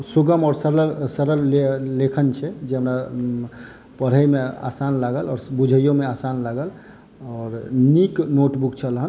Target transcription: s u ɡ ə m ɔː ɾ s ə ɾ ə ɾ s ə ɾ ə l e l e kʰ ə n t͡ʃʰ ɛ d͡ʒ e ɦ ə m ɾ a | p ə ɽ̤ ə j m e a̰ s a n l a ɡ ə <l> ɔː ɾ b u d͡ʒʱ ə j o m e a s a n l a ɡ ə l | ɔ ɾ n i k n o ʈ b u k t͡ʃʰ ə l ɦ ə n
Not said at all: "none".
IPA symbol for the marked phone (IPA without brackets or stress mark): l